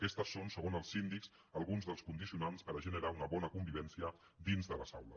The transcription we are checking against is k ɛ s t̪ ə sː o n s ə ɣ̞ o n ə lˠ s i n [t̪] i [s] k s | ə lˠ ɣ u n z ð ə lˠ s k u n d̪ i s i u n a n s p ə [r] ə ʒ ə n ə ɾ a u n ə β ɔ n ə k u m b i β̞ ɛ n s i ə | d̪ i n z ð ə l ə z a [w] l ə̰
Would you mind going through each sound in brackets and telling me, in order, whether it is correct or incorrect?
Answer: incorrect: d̪, incorrect: none, incorrect: ɾ, correct

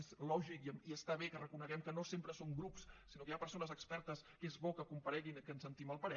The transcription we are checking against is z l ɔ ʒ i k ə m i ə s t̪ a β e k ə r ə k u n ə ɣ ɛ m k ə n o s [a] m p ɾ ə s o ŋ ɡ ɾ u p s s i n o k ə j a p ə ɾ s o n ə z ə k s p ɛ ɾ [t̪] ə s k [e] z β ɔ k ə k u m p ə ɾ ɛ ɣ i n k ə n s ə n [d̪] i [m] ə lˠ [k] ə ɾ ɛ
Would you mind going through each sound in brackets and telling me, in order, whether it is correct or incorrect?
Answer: incorrect: e, correct, correct, incorrect: t̪, correct, incorrect: p

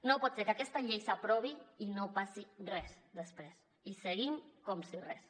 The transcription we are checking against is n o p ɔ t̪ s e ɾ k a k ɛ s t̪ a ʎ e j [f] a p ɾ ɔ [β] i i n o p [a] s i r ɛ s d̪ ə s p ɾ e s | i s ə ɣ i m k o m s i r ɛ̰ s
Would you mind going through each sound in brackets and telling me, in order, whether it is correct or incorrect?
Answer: incorrect: s, correct, correct

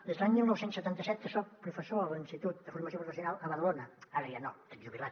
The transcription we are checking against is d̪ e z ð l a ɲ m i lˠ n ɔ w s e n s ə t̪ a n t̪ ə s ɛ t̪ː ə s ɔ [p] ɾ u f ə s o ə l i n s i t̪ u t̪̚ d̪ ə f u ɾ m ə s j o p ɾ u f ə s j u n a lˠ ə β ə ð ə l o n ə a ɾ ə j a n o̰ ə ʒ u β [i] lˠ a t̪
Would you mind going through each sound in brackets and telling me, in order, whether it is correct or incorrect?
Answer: correct, correct

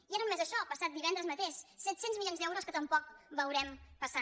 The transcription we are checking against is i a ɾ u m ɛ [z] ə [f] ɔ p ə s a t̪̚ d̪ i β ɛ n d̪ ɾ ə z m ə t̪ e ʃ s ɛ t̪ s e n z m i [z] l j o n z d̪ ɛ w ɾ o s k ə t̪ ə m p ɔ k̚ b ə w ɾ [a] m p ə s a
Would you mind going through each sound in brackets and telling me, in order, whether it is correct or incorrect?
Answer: correct, incorrect: ʃ, incorrect: none, incorrect: ɛ

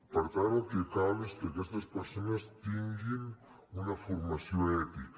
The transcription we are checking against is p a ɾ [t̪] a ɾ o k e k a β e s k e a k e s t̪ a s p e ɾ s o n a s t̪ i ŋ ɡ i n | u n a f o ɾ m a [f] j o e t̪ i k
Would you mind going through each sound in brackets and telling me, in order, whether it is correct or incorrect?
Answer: correct, incorrect: s

